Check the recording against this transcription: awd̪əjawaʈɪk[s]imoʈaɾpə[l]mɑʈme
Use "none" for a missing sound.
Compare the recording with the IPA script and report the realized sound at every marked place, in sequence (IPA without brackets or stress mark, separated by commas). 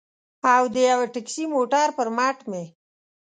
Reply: s, ɾ